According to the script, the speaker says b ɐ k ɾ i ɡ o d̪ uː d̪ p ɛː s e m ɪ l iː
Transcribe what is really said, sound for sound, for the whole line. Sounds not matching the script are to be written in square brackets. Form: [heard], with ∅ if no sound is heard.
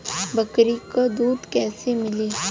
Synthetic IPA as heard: b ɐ k ɾ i [k] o d̪ uː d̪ [k] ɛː s e m ɪ l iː